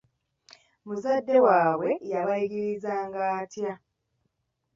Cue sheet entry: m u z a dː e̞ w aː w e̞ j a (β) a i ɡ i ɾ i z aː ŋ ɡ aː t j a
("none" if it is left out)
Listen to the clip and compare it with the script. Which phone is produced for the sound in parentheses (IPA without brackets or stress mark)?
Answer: β